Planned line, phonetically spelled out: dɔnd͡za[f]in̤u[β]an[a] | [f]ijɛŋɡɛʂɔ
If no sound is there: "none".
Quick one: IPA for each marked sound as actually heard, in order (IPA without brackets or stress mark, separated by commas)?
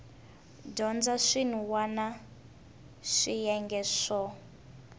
ʂ, w, a, ʂ